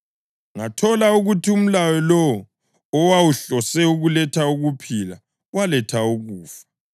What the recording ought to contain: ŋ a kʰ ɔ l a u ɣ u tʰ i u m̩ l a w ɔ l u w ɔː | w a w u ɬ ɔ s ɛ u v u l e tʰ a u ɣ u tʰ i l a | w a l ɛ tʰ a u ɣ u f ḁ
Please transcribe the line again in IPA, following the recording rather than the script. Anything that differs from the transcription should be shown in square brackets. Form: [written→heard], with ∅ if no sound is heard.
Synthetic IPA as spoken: ŋ a [kʰ→tʰ] ɔ l a u ɣ u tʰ i u m̩ l a w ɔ l [u→ɔ] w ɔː | w a w u ɬ ɔ s ɛ u [v→ɣ] u l [e→ɛ] tʰ a u ɣ u [tʰ→pʰ] i l a | w a l ɛ tʰ a u ɣ [u→uː] f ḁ

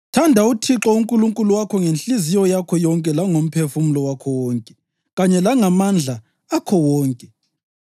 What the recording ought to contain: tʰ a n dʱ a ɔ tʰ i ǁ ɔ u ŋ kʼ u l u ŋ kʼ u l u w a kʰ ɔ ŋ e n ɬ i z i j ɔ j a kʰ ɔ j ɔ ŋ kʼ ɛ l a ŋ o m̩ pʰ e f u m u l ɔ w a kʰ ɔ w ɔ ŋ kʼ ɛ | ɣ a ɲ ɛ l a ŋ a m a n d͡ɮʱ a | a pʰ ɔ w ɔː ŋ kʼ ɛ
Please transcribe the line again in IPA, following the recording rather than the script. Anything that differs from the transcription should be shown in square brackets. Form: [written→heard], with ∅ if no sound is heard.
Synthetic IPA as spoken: tʰ a n dʱ a [ɔ→u] tʰ i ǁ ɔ u ŋ kʼ u l u ŋ kʼ u l u w a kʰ ɔ ŋ e n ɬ i z i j ɔ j a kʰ ɔ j ɔ ŋ kʼ ɛ l a ŋ o m̩ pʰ e f u m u l ɔ w a kʰ ɔ w ɔ ŋ kʼ ɛ | ɣ a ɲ ɛ l a ŋ a m a n d͡ɮʱ a | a [pʰ→kʰ] ɔ w ɔː ŋ kʼ ɛ

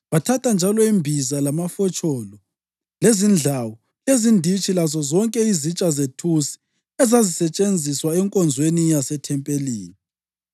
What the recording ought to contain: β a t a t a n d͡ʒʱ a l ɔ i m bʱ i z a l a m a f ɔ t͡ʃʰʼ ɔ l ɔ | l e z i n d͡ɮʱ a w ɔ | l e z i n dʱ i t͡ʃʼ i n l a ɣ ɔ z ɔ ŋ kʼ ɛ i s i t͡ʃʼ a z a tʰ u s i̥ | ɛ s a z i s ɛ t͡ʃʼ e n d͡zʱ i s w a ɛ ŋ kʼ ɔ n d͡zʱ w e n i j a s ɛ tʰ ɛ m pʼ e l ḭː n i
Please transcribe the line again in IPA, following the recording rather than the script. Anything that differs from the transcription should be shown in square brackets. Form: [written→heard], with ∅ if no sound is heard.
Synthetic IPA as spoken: β a [t→tʰ] a t a n d͡ʒʱ a l ɔ i m bʱ i z a l a m a f ɔ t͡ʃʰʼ ɔ l ɔ | l e z i n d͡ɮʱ a w ɔ | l e z i n dʱ i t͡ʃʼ i [n→∅] l a [ɣ→z] ɔ z ɔ ŋ kʼ ɛ i [s→z] i t͡ʃʼ a z [a→e] tʰ u s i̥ | ɛ [s→z] a z i s ɛ t͡ʃʼ e n d͡zʱ i s w a ɛ ŋ kʼ ɔ n d͡zʱ w e n i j a s ɛ tʰ ɛ m pʼ e l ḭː n i

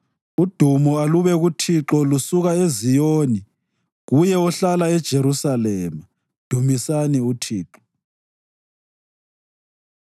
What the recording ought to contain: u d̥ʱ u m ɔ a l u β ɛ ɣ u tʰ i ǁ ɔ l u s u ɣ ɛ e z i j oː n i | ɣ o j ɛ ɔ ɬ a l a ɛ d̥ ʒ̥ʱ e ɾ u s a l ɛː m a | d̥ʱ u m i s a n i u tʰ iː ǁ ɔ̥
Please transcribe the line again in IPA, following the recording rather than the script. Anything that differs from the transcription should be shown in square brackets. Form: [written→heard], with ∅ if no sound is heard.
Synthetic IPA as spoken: u d̥ʱ u m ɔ a l u β ɛ ɣ u tʰ i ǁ ɔ l u s u ɣ [ɛ→a] e z i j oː n i | ɣ [o→u] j ɛ ɔ ɬ a l a ɛ d̥ ʒ̥ʱ e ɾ u s a l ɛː m a | d̥ʱ u m i s a n i u tʰ iː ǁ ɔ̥

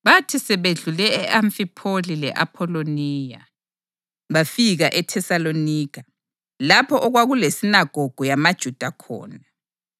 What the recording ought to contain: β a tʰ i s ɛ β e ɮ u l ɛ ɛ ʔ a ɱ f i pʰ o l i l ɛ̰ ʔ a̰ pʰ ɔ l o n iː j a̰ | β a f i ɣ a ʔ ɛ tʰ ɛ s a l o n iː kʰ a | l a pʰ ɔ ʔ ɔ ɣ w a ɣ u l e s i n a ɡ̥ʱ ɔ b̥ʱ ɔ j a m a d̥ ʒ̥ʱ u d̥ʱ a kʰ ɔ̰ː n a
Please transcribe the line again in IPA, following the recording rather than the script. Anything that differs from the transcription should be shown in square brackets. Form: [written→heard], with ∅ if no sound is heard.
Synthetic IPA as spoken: β a tʰ i s ɛ β e ɮ u l ɛ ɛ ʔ a ɱ f i pʰ o l i l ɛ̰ ʔ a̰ pʰ ɔ l o n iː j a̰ | β a f i ɣ a ʔ ɛ tʰ ɛ s a l o n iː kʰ a | l a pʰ ɔ ʔ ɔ ɣ w a ɣ u l e s i n a ɡ̥ʱ ɔ [b̥ʱ→ɡ̥ʱ] ɔ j a m a d̥ ʒ̥ʱ u d̥ʱ a kʰ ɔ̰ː n a

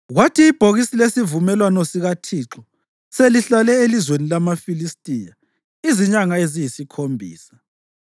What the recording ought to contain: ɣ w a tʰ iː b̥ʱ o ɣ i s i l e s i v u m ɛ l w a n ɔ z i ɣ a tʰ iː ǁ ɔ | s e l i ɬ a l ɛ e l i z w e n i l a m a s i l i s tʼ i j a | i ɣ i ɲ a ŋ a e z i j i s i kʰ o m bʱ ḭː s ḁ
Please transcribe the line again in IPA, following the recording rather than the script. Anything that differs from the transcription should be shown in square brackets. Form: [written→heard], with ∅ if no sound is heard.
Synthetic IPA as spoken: ɣ w a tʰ iː b̥ʱ o ɣ i s i l e s i v u m ɛ l w a n ɔ [z→s] i ɣ a tʰ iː ǁ ɔ | s e l i ɬ a l ɛ e l i z w e n i l a m a [s→f] i l i s tʼ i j a | i [ɣ→z] i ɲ a ŋ a e z i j i s i kʰ o m bʱ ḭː s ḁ

